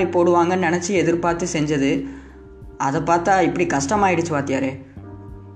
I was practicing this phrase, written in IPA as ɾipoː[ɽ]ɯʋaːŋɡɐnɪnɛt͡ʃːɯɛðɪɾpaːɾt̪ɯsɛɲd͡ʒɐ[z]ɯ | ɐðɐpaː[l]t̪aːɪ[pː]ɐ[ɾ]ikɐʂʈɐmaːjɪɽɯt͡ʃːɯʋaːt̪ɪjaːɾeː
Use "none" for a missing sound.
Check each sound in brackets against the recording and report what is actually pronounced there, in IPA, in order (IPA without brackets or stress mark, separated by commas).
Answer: ɽ, ð, ɾ, pː, ɽ